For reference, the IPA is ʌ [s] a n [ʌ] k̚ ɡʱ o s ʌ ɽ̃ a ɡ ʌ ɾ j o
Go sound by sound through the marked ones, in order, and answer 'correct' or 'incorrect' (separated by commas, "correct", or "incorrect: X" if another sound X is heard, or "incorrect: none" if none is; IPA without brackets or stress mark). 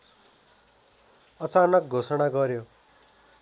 incorrect: t͡s, correct